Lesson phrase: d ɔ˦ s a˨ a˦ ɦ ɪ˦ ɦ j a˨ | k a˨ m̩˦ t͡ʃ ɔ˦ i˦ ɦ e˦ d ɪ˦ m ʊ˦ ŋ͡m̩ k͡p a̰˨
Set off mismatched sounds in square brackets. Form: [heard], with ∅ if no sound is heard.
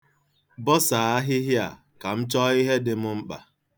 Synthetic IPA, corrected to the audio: [b] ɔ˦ s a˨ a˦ ɦ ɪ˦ ɦ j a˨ | k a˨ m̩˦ t͡ʃ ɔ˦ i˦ ɦ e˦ d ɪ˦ m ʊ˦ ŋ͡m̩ k͡p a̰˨